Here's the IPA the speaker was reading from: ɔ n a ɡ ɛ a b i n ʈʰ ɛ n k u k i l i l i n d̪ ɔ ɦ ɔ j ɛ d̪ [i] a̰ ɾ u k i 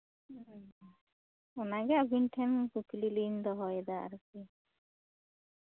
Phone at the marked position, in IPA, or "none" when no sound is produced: a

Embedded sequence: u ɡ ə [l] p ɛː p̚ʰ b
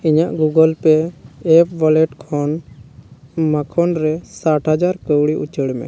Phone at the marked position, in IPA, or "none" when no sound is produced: l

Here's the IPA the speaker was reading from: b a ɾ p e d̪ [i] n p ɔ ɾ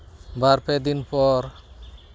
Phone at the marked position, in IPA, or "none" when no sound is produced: i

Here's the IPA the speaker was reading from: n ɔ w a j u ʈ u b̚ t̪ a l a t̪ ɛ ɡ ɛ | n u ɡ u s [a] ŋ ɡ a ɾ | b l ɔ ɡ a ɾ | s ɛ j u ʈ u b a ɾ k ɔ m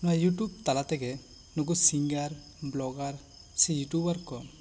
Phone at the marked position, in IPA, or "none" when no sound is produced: i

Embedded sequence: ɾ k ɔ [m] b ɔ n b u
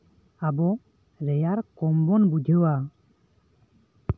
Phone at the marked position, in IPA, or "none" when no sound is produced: m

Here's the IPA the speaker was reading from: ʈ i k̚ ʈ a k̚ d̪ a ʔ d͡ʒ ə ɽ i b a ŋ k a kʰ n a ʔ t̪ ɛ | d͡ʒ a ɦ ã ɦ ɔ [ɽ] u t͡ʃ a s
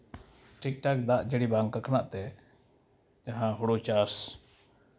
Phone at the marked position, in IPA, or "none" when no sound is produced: ɽ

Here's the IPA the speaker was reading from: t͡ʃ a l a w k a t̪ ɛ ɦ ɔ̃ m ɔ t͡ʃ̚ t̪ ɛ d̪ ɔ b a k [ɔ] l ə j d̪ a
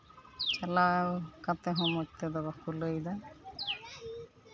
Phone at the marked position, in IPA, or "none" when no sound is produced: u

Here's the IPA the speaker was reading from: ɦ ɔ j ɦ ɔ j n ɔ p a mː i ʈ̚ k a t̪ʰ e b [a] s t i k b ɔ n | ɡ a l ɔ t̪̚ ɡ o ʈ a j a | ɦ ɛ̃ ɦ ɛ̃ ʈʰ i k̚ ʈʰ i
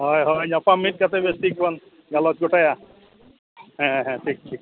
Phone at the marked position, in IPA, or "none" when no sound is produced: e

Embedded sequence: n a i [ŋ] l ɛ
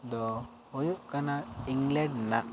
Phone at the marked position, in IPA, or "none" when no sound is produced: ŋ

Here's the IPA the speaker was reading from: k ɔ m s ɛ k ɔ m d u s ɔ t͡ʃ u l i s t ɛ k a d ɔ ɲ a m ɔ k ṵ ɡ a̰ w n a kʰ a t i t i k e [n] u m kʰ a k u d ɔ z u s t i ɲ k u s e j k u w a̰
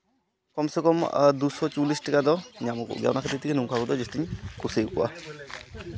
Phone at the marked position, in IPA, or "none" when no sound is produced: n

